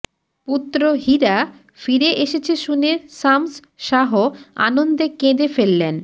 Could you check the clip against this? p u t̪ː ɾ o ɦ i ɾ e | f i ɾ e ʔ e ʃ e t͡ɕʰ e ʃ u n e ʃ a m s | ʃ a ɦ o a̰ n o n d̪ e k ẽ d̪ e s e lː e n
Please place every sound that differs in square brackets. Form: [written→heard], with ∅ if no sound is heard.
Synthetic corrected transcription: p u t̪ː ɾ o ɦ i ɾ [e→a] | f i ɾ e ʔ e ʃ e t͡ɕʰ e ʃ u n e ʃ a m s | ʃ a ɦ o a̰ n o n d̪ e k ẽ d̪ e [s→f] e lː e n